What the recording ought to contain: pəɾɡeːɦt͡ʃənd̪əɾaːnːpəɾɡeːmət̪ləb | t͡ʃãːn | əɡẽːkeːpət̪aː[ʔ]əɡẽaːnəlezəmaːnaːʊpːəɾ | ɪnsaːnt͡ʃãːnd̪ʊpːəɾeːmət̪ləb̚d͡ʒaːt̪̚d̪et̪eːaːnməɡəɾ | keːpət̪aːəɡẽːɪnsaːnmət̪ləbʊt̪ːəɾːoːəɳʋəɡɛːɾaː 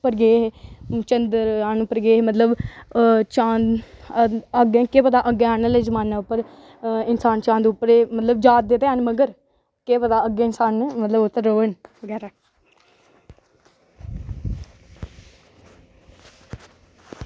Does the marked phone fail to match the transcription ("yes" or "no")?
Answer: no